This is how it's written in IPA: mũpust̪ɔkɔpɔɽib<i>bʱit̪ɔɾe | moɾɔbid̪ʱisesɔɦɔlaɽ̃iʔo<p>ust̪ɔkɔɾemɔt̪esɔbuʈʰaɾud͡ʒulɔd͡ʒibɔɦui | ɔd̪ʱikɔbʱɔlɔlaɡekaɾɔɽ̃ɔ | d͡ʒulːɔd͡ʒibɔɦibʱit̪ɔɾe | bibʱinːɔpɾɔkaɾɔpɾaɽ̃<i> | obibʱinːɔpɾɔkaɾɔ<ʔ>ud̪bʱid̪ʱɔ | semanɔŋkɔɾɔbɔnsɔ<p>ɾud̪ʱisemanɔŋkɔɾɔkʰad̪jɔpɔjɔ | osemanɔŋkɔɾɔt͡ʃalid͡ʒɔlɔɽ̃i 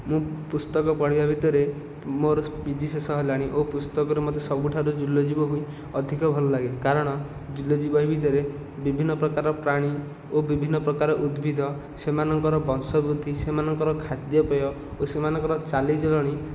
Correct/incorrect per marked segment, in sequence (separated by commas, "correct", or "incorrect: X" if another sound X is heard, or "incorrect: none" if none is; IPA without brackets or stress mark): incorrect: a, correct, correct, correct, incorrect: b